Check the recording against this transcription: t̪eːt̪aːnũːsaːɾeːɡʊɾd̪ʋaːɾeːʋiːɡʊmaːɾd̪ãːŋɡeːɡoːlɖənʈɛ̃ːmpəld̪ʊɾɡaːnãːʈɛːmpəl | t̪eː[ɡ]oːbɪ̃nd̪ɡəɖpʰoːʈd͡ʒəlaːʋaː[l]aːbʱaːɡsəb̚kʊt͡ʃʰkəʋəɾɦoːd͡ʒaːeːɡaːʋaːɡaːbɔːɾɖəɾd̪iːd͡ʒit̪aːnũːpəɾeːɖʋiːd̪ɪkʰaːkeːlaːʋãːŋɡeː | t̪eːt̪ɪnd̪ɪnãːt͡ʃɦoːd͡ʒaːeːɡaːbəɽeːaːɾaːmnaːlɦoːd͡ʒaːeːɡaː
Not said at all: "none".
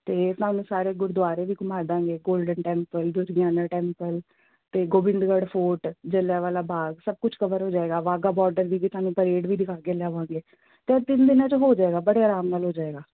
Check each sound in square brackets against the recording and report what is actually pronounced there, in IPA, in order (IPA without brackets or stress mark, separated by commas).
ɡ, l